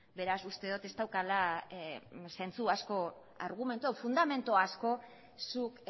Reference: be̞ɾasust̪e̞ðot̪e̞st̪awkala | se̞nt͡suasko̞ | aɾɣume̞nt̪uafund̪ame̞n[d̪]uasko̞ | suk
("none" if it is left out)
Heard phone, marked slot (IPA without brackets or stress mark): t̪